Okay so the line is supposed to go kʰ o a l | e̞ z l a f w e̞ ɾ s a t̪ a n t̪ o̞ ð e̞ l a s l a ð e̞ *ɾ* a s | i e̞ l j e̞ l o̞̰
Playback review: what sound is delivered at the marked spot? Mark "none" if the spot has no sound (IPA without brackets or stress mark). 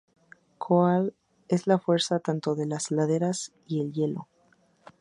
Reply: ɾ